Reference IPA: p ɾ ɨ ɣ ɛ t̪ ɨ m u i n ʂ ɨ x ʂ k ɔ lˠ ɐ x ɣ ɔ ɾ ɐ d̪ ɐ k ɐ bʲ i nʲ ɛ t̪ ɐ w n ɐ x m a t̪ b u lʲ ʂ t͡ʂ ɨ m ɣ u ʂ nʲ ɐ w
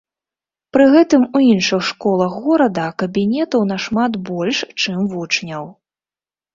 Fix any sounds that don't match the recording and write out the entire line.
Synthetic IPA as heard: p ɾ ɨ ɣ ɛ t̪ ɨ m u i n ʂ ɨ x ʂ k ɔ lˠ ɐ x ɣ ɔ ɾ ɐ d̪ ɐ k ɐ bʲ i nʲ ɛ t̪ ɐ w n ɐ ʂ m a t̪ b ɔ lʲ ʂ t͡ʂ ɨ m v u t͡ʂ nʲ ɐ w